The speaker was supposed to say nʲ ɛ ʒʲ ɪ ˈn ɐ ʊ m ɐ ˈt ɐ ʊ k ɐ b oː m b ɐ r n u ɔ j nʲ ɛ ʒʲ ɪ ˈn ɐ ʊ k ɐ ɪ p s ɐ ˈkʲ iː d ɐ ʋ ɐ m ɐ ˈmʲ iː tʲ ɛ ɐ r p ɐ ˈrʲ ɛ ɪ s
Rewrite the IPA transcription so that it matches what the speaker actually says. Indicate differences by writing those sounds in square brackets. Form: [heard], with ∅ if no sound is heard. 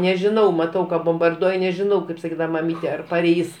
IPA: nʲ ɛ ʒʲ ɪ ˈn ɐ ʊ m ɐ ˈt ɐ ʊ k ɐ b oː m b ɐ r [d] u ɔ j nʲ ɛ ʒʲ ɪ ˈn ɐ ʊ k ɐ ɪ p s ɐ ˈkʲ iː d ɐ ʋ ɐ m ɐ ˈmʲ iː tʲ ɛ ɐ r p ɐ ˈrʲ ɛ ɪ s